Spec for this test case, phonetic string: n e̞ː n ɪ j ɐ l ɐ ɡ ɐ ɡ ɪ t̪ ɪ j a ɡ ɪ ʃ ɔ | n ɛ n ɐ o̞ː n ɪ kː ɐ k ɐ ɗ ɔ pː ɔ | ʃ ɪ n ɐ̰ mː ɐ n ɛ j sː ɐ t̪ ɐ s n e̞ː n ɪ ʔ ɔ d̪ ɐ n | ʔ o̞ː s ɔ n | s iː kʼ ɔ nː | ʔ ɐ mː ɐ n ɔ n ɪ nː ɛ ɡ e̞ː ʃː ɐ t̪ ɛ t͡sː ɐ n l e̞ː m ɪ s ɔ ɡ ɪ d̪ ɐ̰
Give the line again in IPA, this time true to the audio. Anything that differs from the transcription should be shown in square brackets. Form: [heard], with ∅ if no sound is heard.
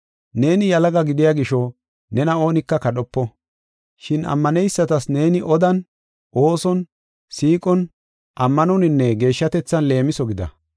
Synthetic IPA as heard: n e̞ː n ɪ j ɐ l ɐ ɡ ɐ ɡ ɪ [d̪] ɪ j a ɡ ɪ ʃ ɔ | n ɛ n ɐ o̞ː n ɪ kː ɐ k ɐ ɗ ɔ pː ɔ | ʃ ɪ n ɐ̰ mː ɐ n ɛ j sː ɐ t̪ ɐ s n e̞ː n ɪ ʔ ɔ d̪ ɐ n | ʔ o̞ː s ɔ n | s iː kʼ ɔ [n] | ʔ ɐ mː ɐ n ɔ n ɪ nː ɛ ɡ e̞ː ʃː ɐ t̪ ɛ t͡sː ɐ n l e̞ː m ɪ s ɔ ɡ ɪ d̪ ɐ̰